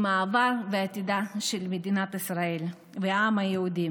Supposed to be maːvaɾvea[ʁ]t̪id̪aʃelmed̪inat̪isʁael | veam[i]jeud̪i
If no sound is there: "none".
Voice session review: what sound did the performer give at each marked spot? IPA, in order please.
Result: none, a

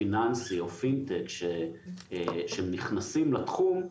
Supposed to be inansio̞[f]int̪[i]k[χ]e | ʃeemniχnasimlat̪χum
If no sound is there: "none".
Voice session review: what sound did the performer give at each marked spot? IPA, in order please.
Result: f, e, ʃ

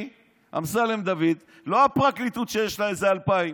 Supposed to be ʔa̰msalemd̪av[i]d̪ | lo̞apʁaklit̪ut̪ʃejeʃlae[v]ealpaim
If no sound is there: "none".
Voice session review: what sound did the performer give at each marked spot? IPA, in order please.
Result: i, z

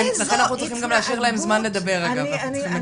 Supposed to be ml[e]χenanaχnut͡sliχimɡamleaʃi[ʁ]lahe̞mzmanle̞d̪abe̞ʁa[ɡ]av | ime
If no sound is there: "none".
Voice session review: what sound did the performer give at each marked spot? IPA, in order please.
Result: a, ʁ, ɡ

